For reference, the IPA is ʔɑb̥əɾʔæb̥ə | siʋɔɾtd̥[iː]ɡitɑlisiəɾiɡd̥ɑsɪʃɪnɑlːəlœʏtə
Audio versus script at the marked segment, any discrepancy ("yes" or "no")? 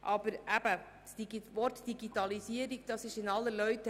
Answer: yes